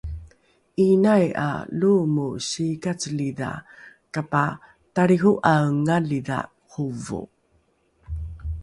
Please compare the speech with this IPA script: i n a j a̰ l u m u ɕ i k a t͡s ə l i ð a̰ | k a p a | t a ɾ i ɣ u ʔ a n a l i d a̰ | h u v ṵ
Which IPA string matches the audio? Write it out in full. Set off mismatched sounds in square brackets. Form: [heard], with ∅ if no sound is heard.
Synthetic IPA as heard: i n a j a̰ l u m u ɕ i k a t͡s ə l i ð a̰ | k a p a | t a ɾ i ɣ u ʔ a [ŋ] a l i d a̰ | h u v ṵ